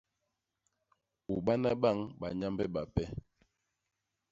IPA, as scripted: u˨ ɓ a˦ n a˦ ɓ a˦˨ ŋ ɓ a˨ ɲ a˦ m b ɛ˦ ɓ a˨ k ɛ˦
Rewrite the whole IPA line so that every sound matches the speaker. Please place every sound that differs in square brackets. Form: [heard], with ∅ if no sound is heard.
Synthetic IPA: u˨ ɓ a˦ n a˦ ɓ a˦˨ ŋ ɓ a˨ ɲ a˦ m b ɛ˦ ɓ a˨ [p] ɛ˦